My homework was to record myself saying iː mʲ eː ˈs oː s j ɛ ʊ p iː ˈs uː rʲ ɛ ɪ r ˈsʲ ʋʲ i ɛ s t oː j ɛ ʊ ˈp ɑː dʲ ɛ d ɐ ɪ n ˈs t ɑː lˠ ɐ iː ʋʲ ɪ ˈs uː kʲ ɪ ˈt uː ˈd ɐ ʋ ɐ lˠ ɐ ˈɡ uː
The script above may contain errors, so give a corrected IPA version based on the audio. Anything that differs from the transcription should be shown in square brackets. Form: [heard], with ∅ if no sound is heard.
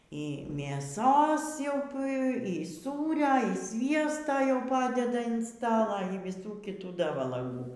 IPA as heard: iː mʲ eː ˈs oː s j ɛ ʊ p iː ˈs uː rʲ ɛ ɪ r ˈsʲ ʋʲ i ɛ s t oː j ɛ ʊ ˈp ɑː dʲ ɛ d ɐ ɪ n ˈs t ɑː lˠ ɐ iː ʋʲ ɪ ˈs uː kʲ ɪ ˈt uː ˈd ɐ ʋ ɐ lˠ ɐ ˈɡ uː